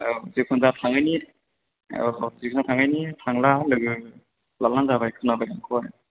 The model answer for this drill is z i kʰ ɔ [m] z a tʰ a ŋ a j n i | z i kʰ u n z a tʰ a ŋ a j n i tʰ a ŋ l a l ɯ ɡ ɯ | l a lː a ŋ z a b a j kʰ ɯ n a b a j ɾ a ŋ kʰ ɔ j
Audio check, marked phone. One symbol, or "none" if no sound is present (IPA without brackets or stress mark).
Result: n